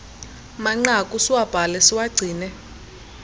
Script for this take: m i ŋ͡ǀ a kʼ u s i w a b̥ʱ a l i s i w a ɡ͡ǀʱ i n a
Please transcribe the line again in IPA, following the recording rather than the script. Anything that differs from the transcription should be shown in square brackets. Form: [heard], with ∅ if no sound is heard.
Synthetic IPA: m [a] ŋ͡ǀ a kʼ u s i w a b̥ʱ a l [ɛ] s i w a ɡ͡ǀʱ [iː] n [ɛ]